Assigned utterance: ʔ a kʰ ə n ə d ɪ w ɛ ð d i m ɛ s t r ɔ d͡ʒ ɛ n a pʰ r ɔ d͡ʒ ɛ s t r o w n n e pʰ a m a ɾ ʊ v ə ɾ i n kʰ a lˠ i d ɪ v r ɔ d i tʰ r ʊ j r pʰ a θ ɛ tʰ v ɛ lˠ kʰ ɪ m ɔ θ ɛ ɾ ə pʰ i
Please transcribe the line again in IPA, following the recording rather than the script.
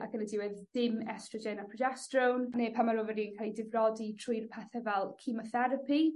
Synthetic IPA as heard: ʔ a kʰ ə n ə d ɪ w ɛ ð d ɪ m ɛ s t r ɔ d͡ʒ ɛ n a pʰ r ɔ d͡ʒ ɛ s t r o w n n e pʰ a m a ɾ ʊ v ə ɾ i n kʰ a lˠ i d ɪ v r ɔ d i tʰ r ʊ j r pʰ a θ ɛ v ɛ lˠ kʰ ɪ m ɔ θ ɛ ɾ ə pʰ i